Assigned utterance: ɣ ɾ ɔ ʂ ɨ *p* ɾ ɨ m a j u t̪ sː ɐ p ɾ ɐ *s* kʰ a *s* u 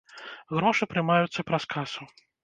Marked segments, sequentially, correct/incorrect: correct, correct, correct

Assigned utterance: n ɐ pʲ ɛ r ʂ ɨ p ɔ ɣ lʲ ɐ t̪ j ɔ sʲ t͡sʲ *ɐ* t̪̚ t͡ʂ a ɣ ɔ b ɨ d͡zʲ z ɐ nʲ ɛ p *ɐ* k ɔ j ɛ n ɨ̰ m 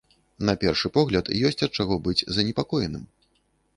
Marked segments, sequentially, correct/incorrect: correct, incorrect

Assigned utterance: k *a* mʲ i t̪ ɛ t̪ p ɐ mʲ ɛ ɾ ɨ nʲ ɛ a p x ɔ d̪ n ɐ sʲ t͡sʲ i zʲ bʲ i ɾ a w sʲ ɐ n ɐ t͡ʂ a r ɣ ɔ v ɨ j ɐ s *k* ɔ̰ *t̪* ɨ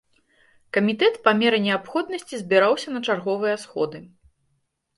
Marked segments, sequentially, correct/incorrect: incorrect, incorrect, incorrect

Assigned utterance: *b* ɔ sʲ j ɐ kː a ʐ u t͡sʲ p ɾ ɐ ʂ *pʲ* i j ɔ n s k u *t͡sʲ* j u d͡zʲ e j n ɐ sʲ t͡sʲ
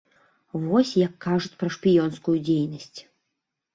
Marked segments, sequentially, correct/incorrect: incorrect, correct, incorrect

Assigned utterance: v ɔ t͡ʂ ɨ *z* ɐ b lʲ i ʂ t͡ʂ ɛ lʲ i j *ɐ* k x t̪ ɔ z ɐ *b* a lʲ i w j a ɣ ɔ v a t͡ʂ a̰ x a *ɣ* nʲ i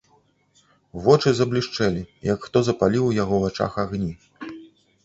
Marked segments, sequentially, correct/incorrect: correct, correct, incorrect, correct

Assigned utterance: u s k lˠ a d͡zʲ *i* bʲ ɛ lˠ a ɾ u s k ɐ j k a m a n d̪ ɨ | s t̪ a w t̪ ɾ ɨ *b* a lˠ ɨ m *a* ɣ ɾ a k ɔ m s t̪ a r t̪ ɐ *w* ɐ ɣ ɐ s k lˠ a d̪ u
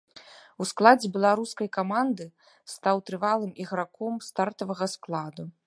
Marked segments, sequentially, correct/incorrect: incorrect, incorrect, incorrect, incorrect

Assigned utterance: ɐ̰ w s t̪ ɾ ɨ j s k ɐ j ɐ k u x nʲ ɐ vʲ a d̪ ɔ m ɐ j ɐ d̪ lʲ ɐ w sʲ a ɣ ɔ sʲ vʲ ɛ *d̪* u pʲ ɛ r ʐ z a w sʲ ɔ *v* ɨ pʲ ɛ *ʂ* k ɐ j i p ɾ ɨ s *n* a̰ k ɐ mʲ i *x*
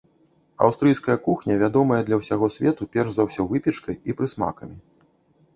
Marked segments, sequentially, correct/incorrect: incorrect, correct, incorrect, incorrect, incorrect

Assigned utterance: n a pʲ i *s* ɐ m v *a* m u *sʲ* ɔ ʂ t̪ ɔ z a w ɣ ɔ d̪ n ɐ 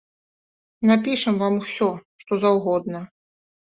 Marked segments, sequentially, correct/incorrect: incorrect, correct, correct

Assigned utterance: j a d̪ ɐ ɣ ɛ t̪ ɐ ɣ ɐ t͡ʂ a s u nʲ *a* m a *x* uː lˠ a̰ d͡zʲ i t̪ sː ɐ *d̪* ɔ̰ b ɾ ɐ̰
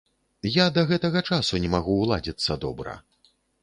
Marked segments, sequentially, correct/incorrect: incorrect, incorrect, correct

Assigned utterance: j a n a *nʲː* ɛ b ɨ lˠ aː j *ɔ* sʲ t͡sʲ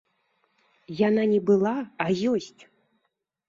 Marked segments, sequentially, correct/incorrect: incorrect, correct

